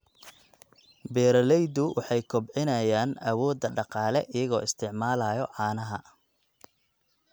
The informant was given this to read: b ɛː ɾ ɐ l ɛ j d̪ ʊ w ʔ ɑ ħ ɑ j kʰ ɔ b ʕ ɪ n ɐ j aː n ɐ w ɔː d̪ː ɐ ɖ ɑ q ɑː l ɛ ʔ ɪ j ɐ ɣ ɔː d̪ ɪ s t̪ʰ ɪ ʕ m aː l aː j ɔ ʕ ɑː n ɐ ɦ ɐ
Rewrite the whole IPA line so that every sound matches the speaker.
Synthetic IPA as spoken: b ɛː ɾ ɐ l ɛ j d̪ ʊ w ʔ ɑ ħ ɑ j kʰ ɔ b ʕ ɪ n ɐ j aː n ɐ w ɔː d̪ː ɐ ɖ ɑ q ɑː l ɛ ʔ ɪ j ɐ ɣ ɔː ɪ s t̪ʰ ɪ ʕ m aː l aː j ɔ ʕ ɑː n ɐ ɦ ɐ